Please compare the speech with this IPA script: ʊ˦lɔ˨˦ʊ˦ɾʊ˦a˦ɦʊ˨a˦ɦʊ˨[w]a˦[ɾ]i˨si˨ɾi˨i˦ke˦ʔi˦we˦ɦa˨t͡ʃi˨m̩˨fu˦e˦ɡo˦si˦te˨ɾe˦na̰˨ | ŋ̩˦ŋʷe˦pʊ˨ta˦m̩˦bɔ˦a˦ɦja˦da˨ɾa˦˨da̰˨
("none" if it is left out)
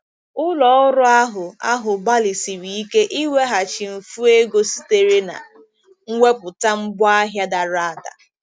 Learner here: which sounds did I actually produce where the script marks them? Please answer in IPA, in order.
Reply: b, l

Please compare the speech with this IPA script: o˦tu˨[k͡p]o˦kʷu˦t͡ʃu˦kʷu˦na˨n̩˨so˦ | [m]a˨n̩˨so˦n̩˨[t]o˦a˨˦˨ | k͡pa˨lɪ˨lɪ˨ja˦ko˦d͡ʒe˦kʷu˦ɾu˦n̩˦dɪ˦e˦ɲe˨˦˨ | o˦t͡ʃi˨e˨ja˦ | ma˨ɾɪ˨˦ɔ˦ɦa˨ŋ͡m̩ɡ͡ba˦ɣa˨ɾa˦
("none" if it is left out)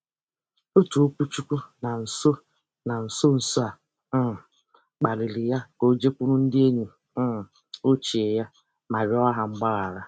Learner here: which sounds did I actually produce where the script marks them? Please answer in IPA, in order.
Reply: none, n, s

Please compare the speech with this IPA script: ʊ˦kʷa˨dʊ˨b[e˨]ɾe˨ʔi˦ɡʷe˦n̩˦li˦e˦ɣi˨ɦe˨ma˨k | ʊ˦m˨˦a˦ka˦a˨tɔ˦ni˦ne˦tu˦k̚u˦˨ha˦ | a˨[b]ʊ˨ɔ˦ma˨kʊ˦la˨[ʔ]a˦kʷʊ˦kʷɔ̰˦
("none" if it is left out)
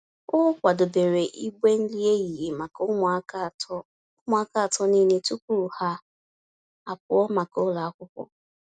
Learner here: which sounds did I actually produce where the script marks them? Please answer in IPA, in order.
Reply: e˨, p, none

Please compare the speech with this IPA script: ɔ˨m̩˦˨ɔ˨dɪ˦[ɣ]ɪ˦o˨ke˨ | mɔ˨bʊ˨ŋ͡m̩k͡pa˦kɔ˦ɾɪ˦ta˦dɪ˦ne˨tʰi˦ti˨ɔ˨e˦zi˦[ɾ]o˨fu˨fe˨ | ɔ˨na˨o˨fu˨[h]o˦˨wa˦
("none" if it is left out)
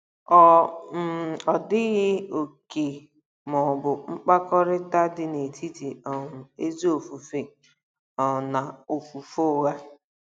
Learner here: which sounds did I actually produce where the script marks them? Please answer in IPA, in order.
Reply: ɣ, none, f

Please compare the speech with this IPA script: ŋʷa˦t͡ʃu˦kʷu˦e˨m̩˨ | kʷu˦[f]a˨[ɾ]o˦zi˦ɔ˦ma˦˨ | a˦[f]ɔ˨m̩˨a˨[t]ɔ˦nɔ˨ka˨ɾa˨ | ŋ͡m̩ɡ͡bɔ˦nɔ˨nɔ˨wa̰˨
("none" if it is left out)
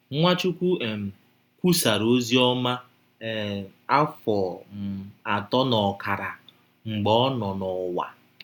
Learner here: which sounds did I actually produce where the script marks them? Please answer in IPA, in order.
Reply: s, ɾ, f, t

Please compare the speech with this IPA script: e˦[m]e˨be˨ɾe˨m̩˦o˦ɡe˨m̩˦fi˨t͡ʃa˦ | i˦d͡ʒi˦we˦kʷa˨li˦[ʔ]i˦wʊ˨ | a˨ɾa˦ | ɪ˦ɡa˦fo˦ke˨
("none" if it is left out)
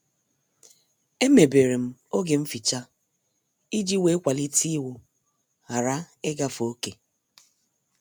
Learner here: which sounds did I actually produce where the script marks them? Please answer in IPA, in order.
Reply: m, t

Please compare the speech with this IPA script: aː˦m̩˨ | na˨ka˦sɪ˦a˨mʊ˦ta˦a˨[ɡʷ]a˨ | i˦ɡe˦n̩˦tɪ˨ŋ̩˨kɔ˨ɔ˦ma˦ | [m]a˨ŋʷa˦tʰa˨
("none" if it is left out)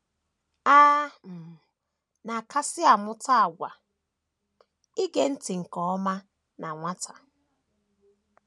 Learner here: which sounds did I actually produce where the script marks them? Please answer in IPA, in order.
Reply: ɡʷ, n

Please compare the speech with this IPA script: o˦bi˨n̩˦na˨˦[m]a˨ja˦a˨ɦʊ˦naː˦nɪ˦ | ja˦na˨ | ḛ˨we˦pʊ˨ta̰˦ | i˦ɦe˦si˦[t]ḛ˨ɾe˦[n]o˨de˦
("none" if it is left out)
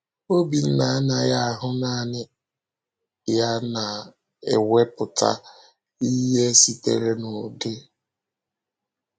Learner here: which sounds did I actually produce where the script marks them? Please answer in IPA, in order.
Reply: n, t, n

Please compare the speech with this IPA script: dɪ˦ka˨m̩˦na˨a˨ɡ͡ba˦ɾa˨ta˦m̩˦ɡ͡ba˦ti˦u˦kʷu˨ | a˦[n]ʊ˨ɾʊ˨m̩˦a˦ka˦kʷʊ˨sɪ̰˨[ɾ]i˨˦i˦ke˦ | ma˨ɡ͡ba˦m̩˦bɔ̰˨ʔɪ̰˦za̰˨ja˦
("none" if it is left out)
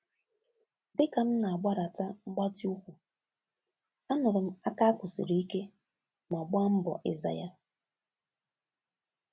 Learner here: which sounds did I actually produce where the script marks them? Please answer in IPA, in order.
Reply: n, ɾ

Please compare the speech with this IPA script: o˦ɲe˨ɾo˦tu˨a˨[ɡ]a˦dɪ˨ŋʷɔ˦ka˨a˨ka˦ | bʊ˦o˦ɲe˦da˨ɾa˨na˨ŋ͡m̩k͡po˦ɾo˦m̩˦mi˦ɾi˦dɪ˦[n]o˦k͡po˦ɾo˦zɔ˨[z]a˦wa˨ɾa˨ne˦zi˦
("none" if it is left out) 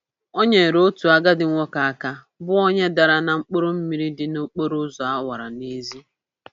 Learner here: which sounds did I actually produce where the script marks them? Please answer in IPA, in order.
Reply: ɡ, n, none

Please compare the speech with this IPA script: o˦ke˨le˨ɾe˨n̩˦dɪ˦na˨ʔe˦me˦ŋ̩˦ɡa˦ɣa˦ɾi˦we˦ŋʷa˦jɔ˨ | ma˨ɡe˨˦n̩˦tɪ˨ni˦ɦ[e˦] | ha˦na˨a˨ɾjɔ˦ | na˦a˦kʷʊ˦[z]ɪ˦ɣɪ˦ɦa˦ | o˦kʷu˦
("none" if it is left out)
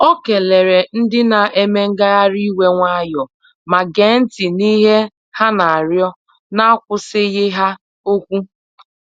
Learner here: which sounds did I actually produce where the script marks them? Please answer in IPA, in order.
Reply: e˦, s

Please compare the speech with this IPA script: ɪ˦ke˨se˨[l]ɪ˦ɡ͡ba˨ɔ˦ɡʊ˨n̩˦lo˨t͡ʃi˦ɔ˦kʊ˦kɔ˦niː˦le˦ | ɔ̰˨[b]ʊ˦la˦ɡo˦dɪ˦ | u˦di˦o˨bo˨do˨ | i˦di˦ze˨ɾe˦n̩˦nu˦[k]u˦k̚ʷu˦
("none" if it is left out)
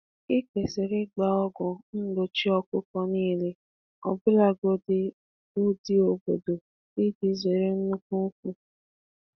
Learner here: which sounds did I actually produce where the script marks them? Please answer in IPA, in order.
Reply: ɾ, b, k

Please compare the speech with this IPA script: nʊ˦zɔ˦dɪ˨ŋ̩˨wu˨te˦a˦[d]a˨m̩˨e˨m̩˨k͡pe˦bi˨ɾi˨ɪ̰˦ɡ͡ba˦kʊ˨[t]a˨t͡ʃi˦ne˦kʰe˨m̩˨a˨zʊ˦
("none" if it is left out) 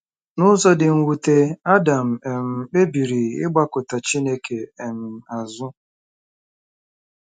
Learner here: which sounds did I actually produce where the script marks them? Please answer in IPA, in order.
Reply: d, t

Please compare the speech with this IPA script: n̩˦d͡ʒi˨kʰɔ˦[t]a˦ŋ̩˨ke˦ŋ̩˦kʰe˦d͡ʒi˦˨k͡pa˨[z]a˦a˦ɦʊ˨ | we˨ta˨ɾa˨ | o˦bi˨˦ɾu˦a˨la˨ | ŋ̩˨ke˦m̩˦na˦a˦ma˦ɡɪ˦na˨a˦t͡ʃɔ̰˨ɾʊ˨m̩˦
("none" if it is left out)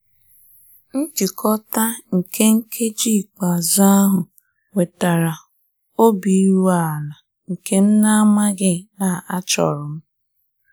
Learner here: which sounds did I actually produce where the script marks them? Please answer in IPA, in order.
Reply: t, z

